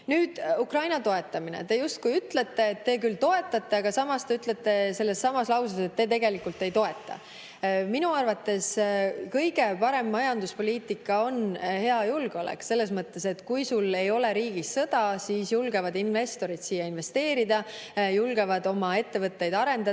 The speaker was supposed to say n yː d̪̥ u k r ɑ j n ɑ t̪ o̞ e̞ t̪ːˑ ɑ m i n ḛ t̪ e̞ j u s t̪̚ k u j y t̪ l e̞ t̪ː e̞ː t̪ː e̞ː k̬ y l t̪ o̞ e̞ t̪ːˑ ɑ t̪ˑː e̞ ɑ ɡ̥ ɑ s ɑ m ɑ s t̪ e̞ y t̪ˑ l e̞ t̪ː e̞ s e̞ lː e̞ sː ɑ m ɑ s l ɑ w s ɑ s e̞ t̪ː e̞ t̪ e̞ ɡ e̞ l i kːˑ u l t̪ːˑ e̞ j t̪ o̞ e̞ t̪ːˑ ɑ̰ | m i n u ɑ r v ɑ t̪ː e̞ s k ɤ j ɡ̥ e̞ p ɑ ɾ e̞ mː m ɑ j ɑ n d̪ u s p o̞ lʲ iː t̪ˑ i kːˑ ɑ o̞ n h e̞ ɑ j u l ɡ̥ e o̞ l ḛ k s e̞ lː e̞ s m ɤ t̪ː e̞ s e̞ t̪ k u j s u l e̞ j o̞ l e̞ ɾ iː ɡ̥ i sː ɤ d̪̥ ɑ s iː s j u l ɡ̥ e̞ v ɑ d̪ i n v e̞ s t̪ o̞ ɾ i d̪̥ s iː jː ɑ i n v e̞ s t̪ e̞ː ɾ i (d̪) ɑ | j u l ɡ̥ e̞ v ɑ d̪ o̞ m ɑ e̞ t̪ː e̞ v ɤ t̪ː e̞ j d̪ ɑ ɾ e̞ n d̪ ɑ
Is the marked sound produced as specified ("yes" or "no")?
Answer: yes